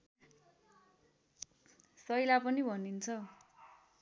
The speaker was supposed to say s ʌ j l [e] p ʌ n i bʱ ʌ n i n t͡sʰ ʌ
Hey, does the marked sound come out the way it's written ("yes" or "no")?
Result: no